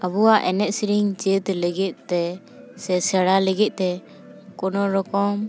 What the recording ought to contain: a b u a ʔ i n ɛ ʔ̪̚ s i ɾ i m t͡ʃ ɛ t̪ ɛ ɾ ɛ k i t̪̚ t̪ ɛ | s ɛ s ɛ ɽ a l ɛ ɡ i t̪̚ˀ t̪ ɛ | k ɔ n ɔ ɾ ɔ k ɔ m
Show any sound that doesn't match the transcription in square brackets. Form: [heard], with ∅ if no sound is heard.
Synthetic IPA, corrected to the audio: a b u a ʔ [ɛ] n ɛ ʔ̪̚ s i ɾ i [ŋ] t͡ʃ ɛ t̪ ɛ [l] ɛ [ɡ] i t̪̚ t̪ ɛ | s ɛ s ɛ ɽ a l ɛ ɡ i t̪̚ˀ t̪ ɛ | k ɔ n ɔ ɾ ɔ k ɔ m